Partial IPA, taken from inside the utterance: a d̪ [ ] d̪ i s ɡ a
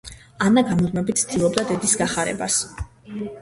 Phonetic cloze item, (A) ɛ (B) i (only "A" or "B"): A